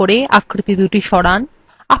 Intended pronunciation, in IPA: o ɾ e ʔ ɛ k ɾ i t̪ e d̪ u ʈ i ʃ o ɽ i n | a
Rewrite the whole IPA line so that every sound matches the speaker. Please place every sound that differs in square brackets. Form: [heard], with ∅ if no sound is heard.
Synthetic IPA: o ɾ e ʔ [a] k ɾ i t̪ [i] d̪ u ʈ i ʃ [ɔ] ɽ [a] n | a